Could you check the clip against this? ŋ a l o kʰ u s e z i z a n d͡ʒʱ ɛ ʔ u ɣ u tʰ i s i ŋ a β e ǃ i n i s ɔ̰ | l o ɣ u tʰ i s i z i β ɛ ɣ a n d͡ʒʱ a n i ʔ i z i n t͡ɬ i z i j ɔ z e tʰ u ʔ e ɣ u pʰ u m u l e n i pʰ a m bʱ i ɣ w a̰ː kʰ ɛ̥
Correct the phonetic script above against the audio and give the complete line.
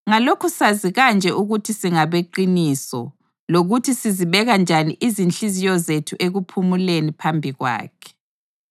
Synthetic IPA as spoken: ŋ a l o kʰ u s a z i ɣ a n d͡ʒʱ ɛ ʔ u ɣ u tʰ i s i ŋ a β e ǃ i n i s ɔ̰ | l o ɣ u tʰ i s i z i β ɛ ɣ a n d͡ʒʱ a n i ʔ i z i n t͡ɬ i z i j ɔ z e tʰ u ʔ e ɣ u pʰ u m u l e n i pʰ a m bʱ i ɣ w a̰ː kʰ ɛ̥